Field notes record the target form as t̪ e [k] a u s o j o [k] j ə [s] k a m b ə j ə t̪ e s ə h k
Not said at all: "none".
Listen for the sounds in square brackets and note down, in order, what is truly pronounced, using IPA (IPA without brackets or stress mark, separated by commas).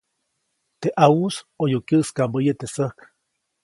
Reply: ʔ, k, s